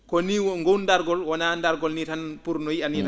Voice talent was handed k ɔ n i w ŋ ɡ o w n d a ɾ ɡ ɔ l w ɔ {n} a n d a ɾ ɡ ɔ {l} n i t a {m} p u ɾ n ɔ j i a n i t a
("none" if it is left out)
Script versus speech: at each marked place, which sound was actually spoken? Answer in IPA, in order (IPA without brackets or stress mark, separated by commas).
n, l, n